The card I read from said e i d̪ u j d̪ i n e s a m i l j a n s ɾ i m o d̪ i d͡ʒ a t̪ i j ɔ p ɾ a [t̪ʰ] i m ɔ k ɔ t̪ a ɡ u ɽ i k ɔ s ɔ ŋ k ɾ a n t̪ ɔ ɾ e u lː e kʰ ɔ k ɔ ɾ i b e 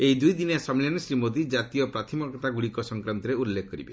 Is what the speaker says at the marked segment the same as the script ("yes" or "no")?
yes